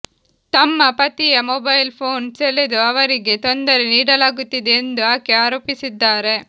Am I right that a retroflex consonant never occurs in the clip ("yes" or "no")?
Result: no